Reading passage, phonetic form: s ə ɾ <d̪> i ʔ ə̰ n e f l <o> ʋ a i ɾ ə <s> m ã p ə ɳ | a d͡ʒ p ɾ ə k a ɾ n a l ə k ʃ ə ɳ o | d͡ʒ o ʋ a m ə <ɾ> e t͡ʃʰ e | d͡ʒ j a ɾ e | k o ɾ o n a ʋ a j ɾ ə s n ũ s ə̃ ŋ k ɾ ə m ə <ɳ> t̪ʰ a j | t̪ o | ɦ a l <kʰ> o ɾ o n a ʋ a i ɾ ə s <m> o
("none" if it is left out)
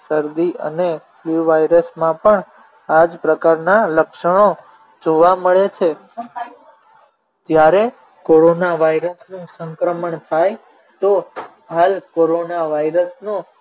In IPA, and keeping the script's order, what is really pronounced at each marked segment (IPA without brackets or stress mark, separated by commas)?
d̪, u, s, ɭ, ɳ, k, n